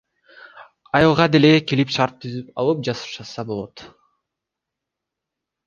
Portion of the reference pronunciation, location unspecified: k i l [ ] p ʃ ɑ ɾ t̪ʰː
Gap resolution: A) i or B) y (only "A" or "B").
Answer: A